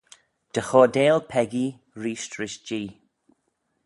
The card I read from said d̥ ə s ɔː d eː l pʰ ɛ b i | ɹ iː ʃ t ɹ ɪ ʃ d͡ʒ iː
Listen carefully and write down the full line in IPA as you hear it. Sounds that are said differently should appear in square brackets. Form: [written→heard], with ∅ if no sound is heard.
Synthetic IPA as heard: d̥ ə [s→x] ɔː d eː l pʰ ɛ [b→ɡ] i | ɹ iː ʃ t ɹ ɪ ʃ d͡ʒ iː